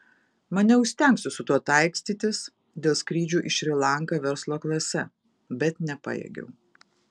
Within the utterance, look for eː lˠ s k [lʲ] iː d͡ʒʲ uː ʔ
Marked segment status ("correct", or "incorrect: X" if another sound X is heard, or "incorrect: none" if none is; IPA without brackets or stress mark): incorrect: ɾʲ